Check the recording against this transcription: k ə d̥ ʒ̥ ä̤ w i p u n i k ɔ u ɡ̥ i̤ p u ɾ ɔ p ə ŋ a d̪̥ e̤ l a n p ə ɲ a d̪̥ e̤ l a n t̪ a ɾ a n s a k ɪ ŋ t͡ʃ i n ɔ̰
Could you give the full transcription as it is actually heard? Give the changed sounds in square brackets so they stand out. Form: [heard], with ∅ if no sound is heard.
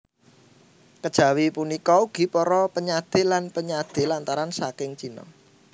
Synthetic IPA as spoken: k ə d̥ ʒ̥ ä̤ w i p u n i k ɔ u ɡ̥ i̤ p [ɔ] ɾ ɔ p ə [ɲ] a d̪̥ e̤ l a n p ə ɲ a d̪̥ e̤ l a n t̪ a ɾ a n s a k ɪ ŋ t͡ʃ i n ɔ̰